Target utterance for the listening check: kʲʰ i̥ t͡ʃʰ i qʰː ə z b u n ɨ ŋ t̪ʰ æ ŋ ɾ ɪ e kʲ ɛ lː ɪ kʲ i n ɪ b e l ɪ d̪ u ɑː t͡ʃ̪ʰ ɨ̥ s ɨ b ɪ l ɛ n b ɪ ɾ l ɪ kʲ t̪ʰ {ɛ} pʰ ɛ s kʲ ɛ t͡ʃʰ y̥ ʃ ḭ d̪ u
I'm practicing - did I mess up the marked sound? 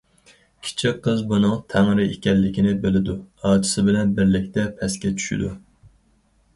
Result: no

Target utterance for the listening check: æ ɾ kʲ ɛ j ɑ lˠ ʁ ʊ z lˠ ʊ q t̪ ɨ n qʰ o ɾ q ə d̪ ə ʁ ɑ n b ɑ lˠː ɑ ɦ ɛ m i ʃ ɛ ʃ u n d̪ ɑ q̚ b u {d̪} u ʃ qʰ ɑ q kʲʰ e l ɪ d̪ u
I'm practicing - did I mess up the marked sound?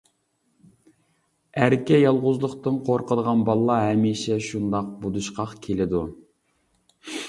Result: no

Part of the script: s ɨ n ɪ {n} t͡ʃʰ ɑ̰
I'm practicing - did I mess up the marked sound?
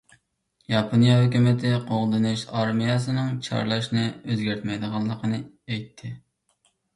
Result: yes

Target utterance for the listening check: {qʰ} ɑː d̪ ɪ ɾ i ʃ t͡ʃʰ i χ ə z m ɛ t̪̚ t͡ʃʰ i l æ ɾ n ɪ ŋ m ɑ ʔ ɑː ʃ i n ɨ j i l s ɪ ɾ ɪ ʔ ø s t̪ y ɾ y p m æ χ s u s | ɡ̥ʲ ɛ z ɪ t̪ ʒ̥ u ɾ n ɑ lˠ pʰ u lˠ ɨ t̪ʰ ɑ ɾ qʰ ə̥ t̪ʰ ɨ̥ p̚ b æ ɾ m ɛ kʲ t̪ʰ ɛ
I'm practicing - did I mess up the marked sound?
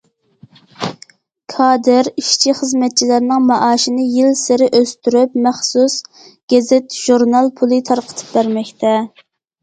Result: yes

